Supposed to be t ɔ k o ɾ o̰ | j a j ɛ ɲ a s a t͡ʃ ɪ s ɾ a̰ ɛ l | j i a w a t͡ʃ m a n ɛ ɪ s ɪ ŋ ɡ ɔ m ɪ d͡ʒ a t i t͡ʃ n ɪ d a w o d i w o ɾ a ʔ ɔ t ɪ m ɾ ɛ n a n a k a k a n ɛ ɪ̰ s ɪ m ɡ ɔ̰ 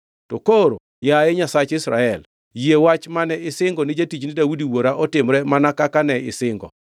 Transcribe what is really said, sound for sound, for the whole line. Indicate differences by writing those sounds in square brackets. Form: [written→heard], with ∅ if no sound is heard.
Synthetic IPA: t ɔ k o ɾ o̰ | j a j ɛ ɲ a s a t͡ʃ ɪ s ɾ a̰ ɛ l | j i [a→e] w a t͡ʃ m a n ɛ ɪ s ɪ ŋ ɡ ɔ [m→n] ɪ d͡ʒ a t i t͡ʃ n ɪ d a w [o→u] d i w o ɾ a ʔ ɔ t ɪ m ɾ ɛ [n→m] a n a k a k a n ɛ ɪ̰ s ɪ [m→ŋ] ɡ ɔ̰